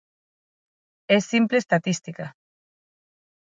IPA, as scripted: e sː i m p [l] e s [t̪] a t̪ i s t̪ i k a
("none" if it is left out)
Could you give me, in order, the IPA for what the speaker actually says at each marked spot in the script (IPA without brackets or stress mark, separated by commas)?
l, t̪